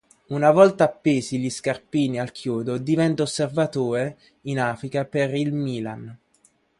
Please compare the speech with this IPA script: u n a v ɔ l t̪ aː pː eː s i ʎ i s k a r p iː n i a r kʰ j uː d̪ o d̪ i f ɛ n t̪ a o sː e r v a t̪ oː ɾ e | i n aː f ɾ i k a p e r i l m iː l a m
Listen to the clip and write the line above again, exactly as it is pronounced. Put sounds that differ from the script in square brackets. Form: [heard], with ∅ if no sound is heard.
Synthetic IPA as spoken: u n a v ɔ l t̪ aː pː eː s i ʎ i s k a r p iː n i a [l] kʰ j uː d̪ o d̪ i [v] ɛ n t̪ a o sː e r v a t̪ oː ɾ e | i n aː f ɾ i k a p e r i l m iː l a [n]